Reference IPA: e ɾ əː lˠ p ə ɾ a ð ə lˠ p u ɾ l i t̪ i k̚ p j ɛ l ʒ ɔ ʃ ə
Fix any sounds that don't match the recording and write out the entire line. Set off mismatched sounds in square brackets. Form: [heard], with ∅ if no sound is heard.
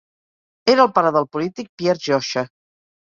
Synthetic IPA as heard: e ɾ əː lˠ p [a] ɾ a ð ə lˠ p u [∅] l i t̪ i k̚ p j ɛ [ɾ] ʒ ɔ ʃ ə

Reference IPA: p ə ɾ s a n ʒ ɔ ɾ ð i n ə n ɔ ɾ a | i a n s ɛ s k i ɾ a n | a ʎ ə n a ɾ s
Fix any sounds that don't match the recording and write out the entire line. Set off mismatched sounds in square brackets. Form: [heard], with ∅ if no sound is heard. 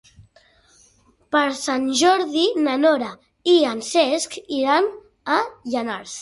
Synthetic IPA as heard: p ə ɾ s a n ʒ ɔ ɾ ð i n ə n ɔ ɾ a | i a n s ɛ s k i ɾ a n | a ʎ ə n a ɾ s

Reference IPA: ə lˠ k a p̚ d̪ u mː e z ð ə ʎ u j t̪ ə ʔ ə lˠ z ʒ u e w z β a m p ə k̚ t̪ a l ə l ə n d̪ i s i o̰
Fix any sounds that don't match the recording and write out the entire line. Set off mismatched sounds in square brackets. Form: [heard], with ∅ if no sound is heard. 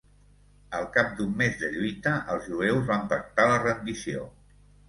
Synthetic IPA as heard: ə lˠ k a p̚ d̪ u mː e z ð ə ʎ u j t̪ ə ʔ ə lˠ z ʒ u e w z β a m p ə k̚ t̪ a l ə [r] ə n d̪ i s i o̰

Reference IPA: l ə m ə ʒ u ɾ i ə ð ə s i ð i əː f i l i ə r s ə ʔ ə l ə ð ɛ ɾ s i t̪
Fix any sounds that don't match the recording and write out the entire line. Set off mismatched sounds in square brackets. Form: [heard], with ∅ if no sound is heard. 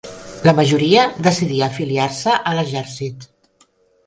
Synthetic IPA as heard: l ə m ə ʒ u ɾ i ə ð ə s i ð i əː f i l i [a] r s ə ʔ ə l ə [ʒ] ɛ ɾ s i t̪

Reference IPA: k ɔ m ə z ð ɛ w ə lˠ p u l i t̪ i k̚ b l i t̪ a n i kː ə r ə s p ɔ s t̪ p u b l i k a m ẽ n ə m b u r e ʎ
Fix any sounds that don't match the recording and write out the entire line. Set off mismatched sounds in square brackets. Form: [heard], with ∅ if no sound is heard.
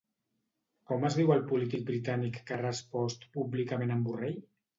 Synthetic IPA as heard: k ɔ m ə z ð [i] w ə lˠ p u l i t̪ i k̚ b [ɾ] i t̪ a n i kː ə r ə s p ɔ s t̪ p u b l i k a m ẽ n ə m b u r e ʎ

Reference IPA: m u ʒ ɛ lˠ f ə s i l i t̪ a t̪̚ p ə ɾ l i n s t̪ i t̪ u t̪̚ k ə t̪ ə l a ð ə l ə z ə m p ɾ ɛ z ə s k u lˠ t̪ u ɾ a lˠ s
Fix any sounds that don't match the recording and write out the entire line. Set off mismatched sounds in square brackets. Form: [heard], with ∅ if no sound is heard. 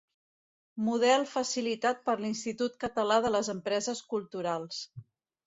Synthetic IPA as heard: m u [ð] ɛ lˠ f ə s i l i t̪ a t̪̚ p ə ɾ l i n s t̪ i t̪ u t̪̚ k ə t̪ ə l a ð ə l ə z ə m p ɾ ɛ z ə s k u lˠ t̪ u ɾ a lˠ s

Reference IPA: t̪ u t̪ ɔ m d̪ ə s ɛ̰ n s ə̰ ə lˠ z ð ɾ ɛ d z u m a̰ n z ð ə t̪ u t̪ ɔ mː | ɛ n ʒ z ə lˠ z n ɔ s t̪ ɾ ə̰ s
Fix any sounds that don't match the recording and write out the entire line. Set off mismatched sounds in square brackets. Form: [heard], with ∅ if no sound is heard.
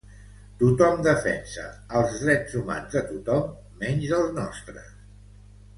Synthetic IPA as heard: t̪ u t̪ ɔ m d̪ ə [f] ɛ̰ n s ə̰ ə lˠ z ð ɾ ɛ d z u m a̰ n z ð ə t̪ u t̪ ɔ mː | ɛ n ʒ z ə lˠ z n ɔ s t̪ ɾ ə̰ s

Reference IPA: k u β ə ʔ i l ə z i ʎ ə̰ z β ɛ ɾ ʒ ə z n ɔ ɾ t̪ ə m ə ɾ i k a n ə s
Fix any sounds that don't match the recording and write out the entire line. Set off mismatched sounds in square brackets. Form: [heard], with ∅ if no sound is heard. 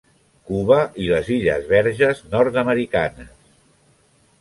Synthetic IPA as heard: k u β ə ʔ i l ə z i ʎ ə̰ z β ɛ ɾ ʒ ə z n ɔ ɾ t̪ ə m ə ɾ i k a n ə s

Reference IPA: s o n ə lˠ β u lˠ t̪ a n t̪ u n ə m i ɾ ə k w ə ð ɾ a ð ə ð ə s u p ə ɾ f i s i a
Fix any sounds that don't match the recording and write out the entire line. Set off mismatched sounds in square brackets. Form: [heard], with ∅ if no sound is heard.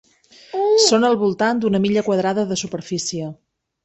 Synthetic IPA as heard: s o n ə lˠ β u lˠ t̪ a n [d̪] u n ə m i [ʎ] ə k w ə ð ɾ a ð ə ð ə s u p ə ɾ f i s i [ə]

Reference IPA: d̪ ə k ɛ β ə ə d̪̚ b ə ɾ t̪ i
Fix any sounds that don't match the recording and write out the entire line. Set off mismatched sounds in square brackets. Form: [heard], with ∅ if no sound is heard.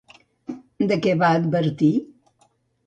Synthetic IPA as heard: d̪ ə k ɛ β [a] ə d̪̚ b ə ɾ t̪ i

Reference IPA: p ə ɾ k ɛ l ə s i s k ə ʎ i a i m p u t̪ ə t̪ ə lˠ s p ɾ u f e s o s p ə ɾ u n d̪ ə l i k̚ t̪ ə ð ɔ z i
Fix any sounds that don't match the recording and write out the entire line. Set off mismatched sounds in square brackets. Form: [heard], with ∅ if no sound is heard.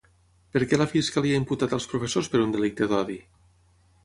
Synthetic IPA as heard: p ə ɾ k ɛ l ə [f] i s k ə [l] i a i m p u t̪ [a] t̪ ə lˠ s p ɾ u f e s o s p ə ɾ u n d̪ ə l i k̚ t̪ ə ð ɔ [ð] i

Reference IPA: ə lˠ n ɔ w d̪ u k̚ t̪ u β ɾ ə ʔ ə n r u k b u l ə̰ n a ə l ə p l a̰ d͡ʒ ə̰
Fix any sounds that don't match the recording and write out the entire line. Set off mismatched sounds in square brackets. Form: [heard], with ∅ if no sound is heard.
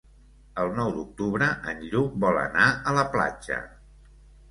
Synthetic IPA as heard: ə lˠ n ɔ w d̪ u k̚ t̪ u β ɾ ə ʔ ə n [ʎ] u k b [ɔ] l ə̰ n a ə l ə p l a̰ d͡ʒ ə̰

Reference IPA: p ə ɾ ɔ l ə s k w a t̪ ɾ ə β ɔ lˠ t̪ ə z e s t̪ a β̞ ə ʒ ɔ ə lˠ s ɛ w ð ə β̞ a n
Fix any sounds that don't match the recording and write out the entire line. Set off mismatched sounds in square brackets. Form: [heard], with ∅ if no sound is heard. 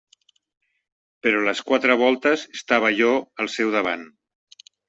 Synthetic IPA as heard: p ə ɾ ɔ l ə s k w a t̪ ɾ ə β ɔ lˠ t̪ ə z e s t̪ a β̞ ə ʒ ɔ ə lˠ s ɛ w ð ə β̞ a n

